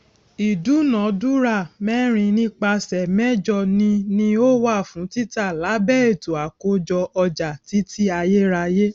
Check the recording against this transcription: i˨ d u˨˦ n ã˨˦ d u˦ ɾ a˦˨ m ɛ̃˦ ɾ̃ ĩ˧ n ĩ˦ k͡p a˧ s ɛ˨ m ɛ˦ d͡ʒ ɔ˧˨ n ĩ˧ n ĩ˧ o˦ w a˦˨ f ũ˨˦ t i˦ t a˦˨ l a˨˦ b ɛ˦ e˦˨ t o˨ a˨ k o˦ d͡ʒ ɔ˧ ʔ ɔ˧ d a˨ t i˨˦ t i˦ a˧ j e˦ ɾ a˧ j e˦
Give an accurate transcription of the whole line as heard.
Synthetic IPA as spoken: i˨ d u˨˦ n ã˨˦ d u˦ ɾ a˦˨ m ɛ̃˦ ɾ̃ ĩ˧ n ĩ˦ k͡p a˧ s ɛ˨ m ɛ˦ d͡ʒ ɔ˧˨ n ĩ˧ n ĩ˧ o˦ w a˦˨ f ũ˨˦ t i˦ t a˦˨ l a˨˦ b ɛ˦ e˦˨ t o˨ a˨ k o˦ d͡ʒ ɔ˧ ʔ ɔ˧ d͡ʒ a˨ t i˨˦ t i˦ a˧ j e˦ ɾ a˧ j e˦